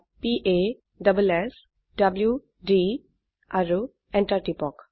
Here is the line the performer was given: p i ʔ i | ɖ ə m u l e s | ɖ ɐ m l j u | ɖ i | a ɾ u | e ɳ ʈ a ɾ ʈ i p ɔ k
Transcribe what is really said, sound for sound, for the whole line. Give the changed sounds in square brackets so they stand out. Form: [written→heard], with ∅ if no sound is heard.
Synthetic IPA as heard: p i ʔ [i→e] | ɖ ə [m→b] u l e s | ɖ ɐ [m→b] l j u | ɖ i | a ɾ u | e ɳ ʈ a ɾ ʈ i p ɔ k